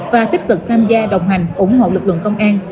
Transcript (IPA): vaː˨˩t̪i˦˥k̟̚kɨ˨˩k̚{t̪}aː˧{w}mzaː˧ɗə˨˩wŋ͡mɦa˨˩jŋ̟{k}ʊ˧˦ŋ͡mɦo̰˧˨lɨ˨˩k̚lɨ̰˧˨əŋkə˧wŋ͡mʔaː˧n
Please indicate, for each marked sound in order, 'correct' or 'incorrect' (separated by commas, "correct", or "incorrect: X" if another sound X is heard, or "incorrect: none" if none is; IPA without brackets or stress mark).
incorrect: t̪ʰ, incorrect: none, incorrect: ʔ